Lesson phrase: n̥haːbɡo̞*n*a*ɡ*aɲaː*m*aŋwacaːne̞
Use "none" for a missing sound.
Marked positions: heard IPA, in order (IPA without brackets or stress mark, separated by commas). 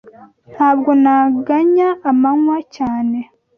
n, ɡ, m